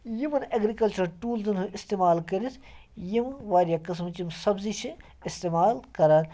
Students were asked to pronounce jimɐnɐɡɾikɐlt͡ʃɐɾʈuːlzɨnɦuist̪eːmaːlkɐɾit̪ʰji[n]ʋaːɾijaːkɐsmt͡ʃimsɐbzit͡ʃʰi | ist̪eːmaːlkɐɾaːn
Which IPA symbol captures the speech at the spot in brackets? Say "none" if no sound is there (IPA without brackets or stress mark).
m